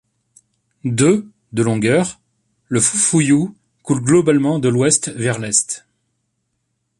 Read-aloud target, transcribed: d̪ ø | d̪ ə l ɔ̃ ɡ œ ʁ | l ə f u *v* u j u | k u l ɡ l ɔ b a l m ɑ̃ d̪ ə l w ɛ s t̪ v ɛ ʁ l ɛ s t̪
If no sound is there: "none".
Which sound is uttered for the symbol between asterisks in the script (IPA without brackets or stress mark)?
f